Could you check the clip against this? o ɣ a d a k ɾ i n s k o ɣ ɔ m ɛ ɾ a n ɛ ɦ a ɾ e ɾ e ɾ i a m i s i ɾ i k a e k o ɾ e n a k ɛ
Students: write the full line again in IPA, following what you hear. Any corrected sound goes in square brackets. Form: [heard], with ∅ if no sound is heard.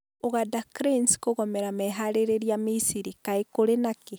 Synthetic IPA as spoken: o ɣ a d a k ɾ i n s k o ɣ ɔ m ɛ ɾ a [m] ɛ ɦ a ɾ e ɾ e ɾ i a m i s i ɾ i k a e k o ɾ e n a k [e]